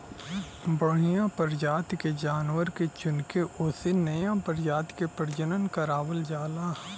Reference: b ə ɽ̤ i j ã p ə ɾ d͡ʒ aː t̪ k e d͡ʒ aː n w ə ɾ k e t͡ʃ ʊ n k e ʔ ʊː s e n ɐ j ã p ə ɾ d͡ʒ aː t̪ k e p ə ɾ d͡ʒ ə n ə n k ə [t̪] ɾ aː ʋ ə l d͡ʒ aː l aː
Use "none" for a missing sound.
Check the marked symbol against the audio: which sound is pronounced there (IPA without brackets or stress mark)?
none